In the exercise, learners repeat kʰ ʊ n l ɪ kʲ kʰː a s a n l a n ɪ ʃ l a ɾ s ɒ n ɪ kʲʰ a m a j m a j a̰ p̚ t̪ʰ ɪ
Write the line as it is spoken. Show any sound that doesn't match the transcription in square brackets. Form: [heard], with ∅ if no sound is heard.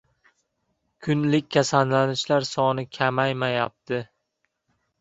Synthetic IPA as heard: kʰ ʊ n l ɪ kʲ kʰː a s a n l a n ɪ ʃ l a ɾ s ɒ n ɪ kʲʰ a m a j m a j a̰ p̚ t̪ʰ ɪ

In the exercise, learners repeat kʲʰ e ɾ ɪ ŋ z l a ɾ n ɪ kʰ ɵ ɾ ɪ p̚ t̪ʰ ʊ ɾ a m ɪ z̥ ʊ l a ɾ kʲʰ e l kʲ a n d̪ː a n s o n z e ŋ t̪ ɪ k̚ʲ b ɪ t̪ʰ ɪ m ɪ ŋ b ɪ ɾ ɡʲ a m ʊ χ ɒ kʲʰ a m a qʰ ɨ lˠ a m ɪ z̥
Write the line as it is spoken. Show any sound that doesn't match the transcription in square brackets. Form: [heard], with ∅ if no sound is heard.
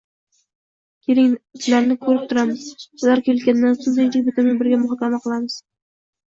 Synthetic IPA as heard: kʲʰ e ɾ ɪ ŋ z l a ɾ n ɪ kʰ ɵ ɾ ɪ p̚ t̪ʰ ʊ ɾ a m ɪ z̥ ʊ l a ɾ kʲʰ e l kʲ a n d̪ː a n s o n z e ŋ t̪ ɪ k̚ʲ b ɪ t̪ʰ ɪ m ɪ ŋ b ɪ ɾ ɡʲ a m ʊ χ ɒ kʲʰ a m a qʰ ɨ lˠ a m ɪ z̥

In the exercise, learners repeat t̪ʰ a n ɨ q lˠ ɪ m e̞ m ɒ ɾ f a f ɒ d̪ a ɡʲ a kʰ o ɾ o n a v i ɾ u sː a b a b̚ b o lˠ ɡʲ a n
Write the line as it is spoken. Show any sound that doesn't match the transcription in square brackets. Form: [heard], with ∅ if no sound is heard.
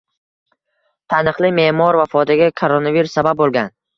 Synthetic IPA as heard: t̪ʰ a n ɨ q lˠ ɪ m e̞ m ɒ ɾ [v] a f ɒ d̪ a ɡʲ a kʰ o ɾ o n a v i ɾ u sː a b a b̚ b o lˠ ɡʲ a n

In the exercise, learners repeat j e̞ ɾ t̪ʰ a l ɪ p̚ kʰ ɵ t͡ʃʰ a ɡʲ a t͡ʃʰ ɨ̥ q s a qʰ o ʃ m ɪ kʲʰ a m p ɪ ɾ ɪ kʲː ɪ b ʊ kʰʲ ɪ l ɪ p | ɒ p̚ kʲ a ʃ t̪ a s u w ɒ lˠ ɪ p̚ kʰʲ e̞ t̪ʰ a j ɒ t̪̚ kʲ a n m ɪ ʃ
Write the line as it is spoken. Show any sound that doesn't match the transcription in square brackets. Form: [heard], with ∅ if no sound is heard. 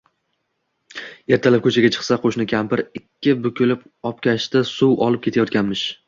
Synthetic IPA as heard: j e̞ ɾ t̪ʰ a l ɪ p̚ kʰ ɵ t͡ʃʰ a ɡʲ a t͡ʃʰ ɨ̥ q s a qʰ o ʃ [n] ɪ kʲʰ a m p ɪ ɾ ɪ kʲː ɪ b ʊ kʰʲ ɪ l ɪ p | ɒ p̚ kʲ a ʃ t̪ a s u w ɒ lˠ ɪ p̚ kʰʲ e̞ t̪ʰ a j ɒ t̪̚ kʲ a n m ɪ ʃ

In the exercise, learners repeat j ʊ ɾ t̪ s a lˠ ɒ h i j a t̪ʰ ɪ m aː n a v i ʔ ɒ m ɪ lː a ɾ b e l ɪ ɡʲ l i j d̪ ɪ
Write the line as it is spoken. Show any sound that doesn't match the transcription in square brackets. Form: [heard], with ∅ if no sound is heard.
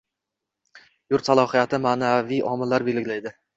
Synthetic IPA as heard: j ʊ ɾ t̪ s a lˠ ɒ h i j a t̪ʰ ɪ m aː n a v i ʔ ɒ m ɪ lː a ɾ b e l ɪ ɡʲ l [a] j d̪ ɪ

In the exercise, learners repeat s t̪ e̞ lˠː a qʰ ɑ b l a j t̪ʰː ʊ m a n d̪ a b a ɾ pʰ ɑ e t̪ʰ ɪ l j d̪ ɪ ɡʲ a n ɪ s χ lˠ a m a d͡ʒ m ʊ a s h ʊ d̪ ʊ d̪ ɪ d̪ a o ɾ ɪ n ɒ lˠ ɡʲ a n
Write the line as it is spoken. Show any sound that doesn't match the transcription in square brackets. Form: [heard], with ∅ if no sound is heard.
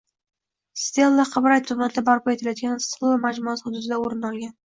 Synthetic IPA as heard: s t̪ e̞ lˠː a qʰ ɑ b [ɾ] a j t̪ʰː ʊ m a n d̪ a b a ɾ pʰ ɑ e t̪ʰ ɪ l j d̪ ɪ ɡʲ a n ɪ s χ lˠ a m a d͡ʒ m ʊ a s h ʊ d̪ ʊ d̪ ɪ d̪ a o ɾ ɪ n ɒ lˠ ɡʲ a n

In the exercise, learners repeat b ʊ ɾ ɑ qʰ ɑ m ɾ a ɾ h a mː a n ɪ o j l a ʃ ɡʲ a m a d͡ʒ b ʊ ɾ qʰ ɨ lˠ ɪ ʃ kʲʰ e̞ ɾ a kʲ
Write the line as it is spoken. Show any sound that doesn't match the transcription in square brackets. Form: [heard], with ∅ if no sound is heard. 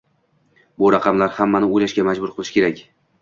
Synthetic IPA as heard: b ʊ ɾ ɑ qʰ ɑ m [l] a ɾ h a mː a n ɪ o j l a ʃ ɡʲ a m a d͡ʒ b ʊ ɾ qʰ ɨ lˠ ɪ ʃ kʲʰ e̞ ɾ a kʲ

